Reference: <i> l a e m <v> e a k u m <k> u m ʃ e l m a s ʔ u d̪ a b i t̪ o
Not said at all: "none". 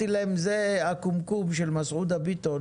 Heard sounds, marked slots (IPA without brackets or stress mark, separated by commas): i, z, k